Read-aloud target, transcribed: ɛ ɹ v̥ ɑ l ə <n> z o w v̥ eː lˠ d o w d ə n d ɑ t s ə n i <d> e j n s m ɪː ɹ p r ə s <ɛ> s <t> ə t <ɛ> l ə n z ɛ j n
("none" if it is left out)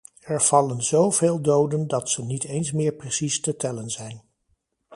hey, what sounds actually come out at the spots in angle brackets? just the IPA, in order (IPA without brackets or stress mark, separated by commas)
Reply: n, t, i, t, ɛ